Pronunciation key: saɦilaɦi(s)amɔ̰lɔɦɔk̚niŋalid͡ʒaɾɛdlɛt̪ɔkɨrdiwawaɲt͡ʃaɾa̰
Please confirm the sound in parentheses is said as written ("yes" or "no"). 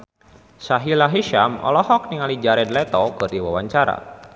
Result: no